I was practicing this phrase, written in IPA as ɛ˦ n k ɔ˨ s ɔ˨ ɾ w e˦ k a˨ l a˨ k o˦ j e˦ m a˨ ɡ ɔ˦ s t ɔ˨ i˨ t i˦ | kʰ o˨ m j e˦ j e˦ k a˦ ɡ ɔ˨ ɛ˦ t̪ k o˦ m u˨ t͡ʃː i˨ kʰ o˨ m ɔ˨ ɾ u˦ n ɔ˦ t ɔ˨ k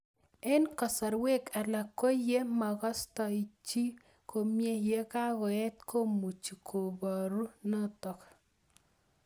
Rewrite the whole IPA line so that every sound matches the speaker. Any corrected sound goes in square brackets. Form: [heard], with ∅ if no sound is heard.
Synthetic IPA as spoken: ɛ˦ n k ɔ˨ s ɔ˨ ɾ w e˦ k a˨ l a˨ k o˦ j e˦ m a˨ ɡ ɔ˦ s t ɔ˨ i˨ [t͡ʃ] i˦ | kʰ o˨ m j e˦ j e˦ k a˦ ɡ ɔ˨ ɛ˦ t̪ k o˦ m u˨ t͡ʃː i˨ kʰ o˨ [b] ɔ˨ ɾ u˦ n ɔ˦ t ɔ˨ k